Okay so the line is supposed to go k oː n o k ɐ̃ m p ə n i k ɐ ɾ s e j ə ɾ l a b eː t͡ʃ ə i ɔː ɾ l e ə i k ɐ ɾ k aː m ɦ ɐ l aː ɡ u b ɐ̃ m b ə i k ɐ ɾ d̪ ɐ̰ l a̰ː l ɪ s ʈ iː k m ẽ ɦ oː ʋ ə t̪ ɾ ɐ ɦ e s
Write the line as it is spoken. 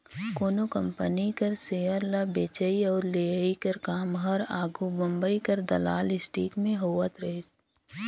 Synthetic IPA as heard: k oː n o k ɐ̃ m p ə n i k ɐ ɾ s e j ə ɾ l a b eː t͡ʃ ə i ɔː ɾ l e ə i k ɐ ɾ k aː m ɦ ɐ ɾ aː ɡ u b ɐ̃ m b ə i k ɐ ɾ d̪ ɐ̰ l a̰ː l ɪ s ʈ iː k m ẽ ɦ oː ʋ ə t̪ ɾ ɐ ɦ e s